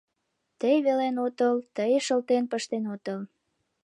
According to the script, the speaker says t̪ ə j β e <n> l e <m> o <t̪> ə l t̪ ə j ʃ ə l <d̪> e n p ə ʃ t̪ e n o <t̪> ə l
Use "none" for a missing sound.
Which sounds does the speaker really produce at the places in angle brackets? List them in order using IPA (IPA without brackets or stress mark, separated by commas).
none, n, t̪, t̪, t̪